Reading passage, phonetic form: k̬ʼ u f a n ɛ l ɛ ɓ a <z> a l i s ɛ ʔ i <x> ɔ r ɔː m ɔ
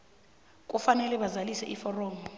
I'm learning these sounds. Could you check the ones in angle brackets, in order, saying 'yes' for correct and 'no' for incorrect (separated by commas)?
yes, no